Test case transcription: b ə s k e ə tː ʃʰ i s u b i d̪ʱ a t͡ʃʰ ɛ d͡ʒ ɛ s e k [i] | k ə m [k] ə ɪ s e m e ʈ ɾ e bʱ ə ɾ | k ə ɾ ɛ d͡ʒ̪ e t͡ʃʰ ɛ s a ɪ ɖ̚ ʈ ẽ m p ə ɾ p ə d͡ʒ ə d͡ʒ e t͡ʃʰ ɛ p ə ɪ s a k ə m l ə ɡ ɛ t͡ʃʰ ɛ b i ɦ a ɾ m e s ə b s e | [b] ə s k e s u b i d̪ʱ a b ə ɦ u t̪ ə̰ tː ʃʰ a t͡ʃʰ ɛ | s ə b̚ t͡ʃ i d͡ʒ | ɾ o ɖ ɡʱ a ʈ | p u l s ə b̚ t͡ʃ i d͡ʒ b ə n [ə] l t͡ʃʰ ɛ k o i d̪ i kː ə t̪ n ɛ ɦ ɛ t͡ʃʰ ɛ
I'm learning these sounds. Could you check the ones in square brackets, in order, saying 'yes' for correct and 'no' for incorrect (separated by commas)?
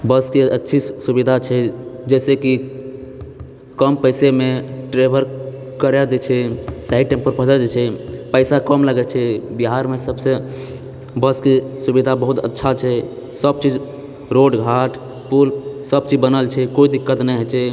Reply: yes, no, yes, yes